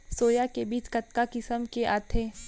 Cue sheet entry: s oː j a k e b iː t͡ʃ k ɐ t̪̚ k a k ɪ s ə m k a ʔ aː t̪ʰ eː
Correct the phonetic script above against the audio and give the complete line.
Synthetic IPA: s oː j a k e b iː t͡ʃ k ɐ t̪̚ k a k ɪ s ə m k e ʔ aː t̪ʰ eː